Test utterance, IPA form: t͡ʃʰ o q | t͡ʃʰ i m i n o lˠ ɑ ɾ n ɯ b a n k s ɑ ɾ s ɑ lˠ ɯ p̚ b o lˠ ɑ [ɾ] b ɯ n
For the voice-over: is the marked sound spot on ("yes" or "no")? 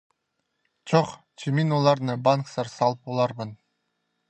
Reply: yes